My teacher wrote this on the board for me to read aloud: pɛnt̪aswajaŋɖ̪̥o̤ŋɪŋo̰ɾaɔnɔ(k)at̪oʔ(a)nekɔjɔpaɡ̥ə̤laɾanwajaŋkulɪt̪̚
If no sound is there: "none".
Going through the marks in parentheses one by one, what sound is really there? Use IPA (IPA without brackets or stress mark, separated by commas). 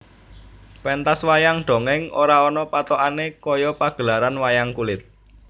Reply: p, a